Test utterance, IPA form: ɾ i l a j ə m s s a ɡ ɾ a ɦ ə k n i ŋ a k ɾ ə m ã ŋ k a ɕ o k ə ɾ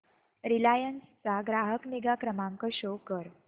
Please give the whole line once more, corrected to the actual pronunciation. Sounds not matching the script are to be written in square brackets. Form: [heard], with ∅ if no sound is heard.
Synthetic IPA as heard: ɾ i l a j ə [n] s [t͡s] a ɡ ɾ a ɦ ə k n i [ɡ] a k ɾ ə m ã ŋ k [ə] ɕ o k ə ɾ